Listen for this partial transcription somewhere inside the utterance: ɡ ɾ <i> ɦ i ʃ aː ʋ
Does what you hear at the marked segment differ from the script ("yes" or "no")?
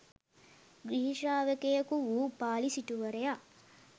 no